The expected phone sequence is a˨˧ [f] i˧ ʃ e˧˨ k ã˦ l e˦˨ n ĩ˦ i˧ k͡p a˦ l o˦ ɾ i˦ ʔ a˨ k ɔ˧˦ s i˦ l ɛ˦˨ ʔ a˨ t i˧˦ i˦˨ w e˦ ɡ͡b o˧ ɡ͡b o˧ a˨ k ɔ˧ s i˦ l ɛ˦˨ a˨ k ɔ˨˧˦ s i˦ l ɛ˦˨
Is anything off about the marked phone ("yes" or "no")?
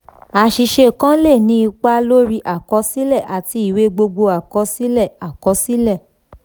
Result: yes